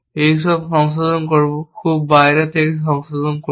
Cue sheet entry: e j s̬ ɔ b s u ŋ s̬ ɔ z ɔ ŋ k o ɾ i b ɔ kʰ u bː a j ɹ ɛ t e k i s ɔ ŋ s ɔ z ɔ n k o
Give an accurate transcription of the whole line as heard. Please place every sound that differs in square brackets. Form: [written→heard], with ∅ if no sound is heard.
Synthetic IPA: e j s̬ ɔ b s [u→ɔ] ŋ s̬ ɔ z ɔ [ŋ→n] k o [ɾ→ɹ] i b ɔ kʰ u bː a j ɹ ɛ t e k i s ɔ ŋ s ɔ z ɔ n k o